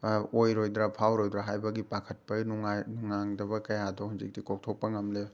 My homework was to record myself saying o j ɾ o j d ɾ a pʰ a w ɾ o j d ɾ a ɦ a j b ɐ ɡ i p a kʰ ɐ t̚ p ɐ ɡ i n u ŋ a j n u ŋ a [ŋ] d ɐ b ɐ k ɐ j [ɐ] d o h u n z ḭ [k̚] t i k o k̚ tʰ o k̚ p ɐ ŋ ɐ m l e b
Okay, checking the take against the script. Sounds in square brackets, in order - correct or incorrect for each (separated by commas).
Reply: correct, incorrect, correct